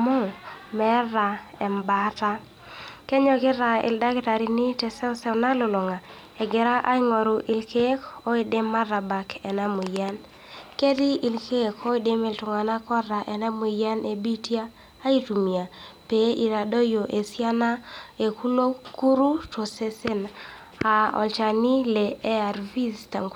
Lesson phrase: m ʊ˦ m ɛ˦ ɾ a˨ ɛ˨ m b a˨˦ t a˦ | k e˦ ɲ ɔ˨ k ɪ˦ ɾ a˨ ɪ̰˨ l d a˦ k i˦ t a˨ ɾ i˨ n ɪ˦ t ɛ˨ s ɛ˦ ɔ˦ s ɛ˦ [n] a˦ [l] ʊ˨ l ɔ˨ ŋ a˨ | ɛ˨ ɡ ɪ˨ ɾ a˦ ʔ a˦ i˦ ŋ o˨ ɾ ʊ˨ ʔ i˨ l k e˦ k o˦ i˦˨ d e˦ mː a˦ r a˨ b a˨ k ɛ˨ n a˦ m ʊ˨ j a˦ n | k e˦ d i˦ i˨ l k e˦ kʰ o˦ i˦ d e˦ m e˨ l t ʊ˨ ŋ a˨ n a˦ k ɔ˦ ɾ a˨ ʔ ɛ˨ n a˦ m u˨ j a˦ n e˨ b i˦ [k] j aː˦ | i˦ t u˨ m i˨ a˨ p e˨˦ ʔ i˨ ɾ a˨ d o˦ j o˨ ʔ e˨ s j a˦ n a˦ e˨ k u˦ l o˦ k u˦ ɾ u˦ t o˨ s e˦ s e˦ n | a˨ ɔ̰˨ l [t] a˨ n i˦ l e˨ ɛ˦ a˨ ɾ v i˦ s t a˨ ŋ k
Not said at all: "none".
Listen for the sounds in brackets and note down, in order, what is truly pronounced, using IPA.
n, l, t, t͡ʃ

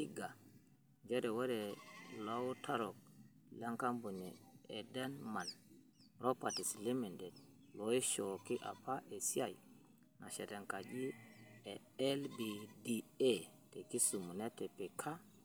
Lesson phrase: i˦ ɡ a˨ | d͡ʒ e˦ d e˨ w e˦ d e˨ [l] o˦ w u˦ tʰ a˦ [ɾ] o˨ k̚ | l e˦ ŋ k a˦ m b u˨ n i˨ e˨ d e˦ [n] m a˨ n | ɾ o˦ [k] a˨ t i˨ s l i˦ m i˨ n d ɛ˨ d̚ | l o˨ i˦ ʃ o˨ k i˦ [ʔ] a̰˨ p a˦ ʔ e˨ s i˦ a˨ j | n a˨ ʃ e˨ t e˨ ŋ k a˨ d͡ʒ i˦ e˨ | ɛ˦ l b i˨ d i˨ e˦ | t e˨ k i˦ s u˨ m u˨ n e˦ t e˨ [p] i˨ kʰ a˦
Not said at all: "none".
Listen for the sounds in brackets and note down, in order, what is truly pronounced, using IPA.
l, ɾ, n, p, ʔ, p

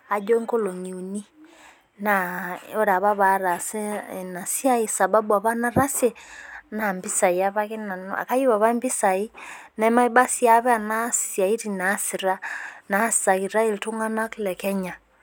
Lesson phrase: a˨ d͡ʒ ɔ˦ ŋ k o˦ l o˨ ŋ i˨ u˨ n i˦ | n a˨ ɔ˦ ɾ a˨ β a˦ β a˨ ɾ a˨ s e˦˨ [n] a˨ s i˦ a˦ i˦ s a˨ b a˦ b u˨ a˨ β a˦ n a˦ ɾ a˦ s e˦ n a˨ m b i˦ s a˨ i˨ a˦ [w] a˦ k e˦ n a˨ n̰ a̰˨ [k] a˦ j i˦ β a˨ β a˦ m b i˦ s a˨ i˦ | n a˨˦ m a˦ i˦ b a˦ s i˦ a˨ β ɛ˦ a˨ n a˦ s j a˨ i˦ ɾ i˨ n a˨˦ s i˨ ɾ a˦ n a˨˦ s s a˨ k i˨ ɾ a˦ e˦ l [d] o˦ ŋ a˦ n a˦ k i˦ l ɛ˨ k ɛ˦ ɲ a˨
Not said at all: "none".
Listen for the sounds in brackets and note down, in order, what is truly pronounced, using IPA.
n, β, k, t

